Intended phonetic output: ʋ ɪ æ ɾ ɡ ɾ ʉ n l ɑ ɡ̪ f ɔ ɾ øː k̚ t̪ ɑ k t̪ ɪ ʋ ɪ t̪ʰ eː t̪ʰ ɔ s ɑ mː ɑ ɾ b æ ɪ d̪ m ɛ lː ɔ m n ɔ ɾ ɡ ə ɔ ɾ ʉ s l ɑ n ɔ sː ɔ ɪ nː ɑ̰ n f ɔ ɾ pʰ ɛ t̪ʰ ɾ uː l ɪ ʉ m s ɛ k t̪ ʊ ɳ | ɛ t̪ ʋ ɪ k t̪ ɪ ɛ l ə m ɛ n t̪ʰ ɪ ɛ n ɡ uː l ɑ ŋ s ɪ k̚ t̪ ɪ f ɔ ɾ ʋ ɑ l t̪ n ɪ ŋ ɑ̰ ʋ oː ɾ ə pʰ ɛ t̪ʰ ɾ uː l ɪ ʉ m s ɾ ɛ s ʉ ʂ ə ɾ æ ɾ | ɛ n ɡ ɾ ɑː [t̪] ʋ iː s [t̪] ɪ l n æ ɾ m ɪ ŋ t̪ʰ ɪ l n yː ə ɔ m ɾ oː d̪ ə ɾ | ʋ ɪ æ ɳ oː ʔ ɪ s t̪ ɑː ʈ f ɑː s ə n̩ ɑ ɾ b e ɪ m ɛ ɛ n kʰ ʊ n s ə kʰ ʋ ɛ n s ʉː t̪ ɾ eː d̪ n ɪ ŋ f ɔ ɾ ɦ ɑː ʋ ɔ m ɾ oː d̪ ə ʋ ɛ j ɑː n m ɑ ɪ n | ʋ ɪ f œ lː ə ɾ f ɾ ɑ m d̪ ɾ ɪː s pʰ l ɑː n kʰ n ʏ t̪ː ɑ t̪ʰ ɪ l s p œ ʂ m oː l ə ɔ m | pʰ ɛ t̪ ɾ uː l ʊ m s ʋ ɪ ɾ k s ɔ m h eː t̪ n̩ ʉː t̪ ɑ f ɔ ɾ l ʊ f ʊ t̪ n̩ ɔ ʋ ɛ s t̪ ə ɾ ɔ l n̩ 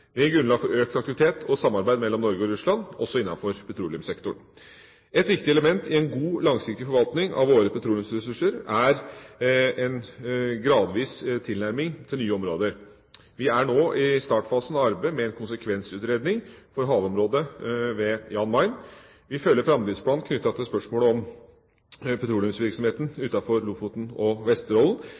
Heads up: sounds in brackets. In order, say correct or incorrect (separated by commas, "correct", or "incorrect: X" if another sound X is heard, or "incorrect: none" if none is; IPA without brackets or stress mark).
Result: incorrect: d̪, incorrect: t̪ʰ